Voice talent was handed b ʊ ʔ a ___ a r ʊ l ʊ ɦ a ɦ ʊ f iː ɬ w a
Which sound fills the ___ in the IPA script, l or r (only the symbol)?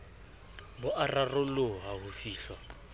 r